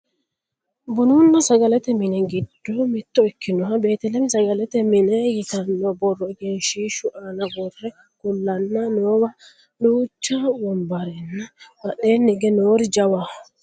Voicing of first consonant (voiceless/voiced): voiced